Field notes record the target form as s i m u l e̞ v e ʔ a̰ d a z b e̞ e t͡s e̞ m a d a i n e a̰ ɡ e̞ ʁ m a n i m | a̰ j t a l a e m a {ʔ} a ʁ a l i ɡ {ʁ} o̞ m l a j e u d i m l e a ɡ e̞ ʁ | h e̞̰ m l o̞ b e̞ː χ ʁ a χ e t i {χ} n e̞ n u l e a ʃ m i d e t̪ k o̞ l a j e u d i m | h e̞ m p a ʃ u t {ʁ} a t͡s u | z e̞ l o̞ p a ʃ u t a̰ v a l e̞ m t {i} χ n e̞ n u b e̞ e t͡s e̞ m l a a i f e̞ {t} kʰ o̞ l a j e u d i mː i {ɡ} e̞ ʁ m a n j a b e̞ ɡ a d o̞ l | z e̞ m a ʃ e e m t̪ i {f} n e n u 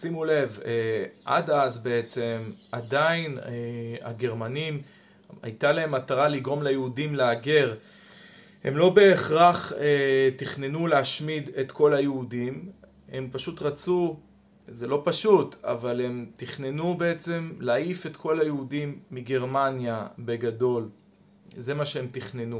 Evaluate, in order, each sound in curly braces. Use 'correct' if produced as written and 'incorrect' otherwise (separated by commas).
incorrect, correct, correct, correct, correct, correct, correct, incorrect